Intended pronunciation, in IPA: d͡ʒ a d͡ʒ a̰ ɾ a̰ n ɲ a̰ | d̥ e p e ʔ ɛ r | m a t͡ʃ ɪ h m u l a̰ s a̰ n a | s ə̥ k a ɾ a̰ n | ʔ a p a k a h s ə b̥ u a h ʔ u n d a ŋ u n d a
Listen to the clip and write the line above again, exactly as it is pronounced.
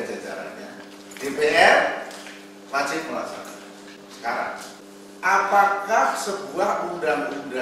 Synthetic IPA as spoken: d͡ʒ a d͡ʒ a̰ ɾ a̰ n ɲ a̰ | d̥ e p e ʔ ɛ r | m a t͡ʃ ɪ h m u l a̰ s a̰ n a | s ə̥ k a ɾ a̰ ŋ | ʔ a p a k a h s ə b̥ u a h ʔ u n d a ŋ u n d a